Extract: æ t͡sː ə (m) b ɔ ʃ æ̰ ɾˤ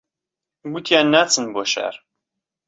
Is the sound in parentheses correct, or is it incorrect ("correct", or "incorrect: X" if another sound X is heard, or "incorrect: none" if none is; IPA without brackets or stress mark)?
incorrect: n